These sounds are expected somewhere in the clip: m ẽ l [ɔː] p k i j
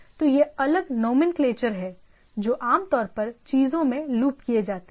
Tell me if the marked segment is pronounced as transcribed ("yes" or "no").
no